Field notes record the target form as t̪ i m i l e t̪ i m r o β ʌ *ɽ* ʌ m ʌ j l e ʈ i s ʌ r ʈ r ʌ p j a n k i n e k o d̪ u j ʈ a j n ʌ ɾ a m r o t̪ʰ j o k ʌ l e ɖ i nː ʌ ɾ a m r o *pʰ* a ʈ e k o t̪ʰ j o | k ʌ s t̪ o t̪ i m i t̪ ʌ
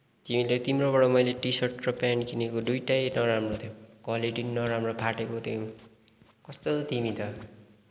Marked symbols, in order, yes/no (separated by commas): yes, yes